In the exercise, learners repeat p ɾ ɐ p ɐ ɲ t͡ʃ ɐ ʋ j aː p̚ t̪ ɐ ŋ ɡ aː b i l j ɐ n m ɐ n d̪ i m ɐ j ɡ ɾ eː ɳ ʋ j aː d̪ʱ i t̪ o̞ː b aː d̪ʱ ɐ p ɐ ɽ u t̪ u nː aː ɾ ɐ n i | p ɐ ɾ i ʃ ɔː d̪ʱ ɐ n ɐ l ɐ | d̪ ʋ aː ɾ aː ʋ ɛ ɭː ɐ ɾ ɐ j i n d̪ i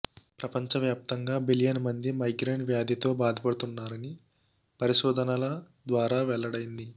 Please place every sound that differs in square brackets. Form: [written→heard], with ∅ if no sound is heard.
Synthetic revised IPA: p ɾ ɐ p ɐ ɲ t͡ʃ ɐ ʋ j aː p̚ t̪ ɐ ŋ ɡ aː b i l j ɐ n m ɐ n d̪ i m ɐ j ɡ ɾ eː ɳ ʋ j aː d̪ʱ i t̪ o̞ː b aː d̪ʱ ɐ p ɐ ɽ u t̪ u nː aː ɾ ɐ n i | p ɐ ɾ i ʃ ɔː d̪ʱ ɐ n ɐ l ɐ | d̪ ʋ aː ɾ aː ʋ ɛ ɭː ɐ [ɾ→ɽ] ɐ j i n d̪ i